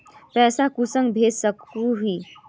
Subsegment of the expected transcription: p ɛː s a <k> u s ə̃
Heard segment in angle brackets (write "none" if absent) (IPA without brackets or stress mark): k